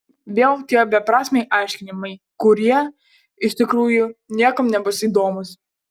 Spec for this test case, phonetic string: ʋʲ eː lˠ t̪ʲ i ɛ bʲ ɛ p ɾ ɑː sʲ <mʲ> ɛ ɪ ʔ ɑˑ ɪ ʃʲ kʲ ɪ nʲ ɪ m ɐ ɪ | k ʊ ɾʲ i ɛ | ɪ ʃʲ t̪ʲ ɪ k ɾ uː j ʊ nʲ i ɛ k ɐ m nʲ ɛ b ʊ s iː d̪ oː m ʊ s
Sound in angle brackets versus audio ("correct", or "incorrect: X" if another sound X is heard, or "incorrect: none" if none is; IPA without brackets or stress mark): correct